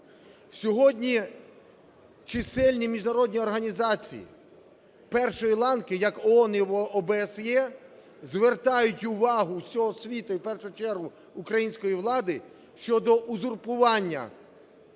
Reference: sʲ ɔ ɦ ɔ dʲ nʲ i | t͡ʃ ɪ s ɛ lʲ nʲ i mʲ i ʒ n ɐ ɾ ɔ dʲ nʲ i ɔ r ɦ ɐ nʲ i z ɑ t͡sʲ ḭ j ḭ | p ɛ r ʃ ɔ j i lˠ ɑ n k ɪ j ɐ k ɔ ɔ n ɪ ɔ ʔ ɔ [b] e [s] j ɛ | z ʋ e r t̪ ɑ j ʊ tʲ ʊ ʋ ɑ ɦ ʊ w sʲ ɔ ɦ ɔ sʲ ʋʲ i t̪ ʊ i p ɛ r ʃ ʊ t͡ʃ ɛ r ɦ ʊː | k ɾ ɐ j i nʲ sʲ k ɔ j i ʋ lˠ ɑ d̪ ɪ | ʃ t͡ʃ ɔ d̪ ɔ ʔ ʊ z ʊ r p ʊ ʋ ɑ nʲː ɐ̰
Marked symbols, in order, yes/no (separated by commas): yes, yes